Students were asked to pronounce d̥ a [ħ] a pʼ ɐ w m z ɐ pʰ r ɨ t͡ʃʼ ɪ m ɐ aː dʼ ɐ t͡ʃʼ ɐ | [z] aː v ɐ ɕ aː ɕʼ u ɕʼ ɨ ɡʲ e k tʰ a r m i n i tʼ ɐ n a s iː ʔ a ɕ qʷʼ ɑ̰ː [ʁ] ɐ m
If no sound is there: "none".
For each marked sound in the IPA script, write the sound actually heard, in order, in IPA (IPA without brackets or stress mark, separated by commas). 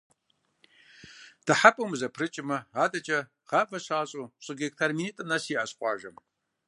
ħ, ʁ, ʒ